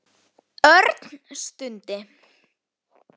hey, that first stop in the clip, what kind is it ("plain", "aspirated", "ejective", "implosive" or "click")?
plain